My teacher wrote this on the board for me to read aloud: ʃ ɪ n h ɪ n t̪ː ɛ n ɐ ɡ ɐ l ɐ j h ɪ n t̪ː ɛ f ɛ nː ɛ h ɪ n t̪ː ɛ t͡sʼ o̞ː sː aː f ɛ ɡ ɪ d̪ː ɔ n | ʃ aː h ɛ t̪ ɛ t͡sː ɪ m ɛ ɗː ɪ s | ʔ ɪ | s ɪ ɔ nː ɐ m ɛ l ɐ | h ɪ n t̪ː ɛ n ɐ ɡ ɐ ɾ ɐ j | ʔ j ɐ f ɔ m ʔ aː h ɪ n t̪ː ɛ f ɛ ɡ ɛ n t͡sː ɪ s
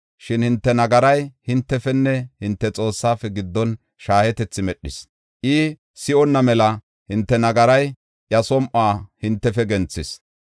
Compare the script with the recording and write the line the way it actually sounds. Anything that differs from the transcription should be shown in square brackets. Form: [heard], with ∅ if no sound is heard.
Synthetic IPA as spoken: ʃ ɪ n h ɪ n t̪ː ɛ n ɐ ɡ ɐ [ɾ] ɐ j h ɪ n t̪ː ɛ f ɛ nː ɛ h ɪ n t̪ː ɛ t͡sʼ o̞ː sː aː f ɛ ɡ ɪ d̪ː ɔ n | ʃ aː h ɛ t̪ ɛ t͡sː ɪ m ɛ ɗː ɪ s | ʔ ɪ | s ɪ ɔ nː ɐ m ɛ l ɐ | h ɪ n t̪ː ɛ n ɐ ɡ ɐ ɾ ɐ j | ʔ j ɐ [s] ɔ m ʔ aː h ɪ n t̪ː ɛ f ɛ ɡ ɛ n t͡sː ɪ s